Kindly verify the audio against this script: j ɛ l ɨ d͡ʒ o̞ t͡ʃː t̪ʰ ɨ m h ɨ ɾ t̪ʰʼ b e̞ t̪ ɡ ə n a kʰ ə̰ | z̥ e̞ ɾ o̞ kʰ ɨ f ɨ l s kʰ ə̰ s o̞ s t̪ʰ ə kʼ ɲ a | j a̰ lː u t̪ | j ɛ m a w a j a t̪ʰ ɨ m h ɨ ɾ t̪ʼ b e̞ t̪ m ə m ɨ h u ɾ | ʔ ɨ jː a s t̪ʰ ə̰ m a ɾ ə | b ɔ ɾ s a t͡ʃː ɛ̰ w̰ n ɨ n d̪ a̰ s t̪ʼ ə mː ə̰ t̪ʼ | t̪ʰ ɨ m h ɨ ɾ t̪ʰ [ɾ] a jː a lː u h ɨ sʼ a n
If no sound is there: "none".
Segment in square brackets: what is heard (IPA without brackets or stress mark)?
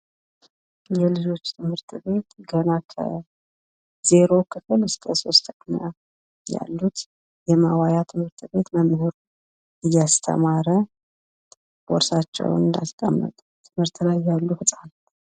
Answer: l